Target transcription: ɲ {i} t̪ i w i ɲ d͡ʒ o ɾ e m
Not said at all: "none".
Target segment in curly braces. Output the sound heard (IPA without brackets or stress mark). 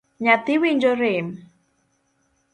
a